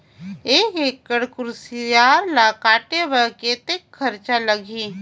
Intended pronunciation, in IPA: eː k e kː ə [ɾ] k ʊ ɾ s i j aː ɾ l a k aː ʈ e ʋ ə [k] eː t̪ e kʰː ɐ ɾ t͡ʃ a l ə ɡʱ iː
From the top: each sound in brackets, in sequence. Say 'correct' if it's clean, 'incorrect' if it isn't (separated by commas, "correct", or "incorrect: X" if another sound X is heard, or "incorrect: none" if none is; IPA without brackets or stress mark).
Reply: incorrect: ɽ, correct